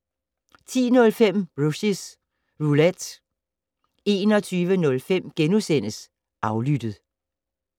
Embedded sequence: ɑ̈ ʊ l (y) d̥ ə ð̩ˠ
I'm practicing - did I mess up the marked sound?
no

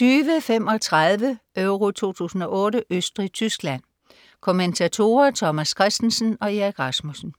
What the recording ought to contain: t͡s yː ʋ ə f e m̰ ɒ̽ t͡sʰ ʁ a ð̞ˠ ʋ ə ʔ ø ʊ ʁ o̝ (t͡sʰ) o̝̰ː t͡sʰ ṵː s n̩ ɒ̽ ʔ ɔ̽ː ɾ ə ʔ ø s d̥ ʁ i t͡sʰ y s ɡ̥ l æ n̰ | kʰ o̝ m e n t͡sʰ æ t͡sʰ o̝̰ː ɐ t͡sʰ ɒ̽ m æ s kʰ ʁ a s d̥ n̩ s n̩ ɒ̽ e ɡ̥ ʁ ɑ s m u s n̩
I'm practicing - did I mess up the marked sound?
no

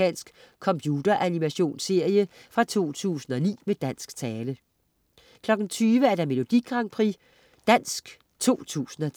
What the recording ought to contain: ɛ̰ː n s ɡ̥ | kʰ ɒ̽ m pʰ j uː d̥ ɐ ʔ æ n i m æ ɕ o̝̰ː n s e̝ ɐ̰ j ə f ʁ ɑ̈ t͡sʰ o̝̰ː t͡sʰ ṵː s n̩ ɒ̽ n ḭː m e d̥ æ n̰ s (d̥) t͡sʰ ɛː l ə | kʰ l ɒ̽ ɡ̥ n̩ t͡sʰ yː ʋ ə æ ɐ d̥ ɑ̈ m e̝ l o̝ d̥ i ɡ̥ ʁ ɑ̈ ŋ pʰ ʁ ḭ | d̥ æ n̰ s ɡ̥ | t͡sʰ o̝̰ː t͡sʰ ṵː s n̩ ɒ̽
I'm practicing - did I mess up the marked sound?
yes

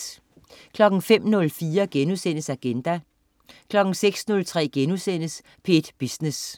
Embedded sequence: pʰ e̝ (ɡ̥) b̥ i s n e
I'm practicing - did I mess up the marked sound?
yes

